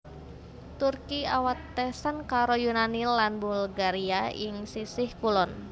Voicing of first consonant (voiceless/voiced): voiceless